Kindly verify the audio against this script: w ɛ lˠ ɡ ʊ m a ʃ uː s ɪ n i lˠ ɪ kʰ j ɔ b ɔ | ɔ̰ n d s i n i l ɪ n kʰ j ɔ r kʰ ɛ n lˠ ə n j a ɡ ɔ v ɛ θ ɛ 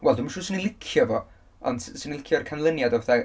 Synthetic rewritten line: w ɛ lˠ d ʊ m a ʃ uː s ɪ n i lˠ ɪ kʰ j ɔ v ɔ | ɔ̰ n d s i n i l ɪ kʰ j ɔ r kʰ a n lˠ ə n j a d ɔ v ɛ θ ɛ